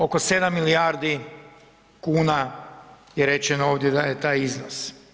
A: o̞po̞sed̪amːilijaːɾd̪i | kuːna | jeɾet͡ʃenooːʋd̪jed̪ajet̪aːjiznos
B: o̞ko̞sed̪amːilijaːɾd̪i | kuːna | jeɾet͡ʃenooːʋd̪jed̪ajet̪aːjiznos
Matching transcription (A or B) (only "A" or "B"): B